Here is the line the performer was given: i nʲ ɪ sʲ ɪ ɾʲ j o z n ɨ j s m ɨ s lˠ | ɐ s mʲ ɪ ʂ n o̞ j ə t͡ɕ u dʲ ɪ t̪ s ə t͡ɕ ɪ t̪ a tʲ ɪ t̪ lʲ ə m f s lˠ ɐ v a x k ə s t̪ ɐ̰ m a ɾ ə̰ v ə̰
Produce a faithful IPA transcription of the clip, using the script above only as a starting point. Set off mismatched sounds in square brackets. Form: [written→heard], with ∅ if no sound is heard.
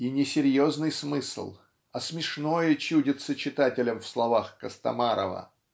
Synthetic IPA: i nʲ ɪ sʲ ɪ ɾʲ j o z n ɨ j s m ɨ s lˠ | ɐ s mʲ ɪ ʂ n o̞ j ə t͡ɕ u dʲ ɪ t̪ s ə t͡ɕ ɪ t̪ a tʲ ɪ [t̪→∅] lʲ ə m f s lˠ ɐ v a x k ə s t̪ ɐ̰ m a ɾ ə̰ v ə̰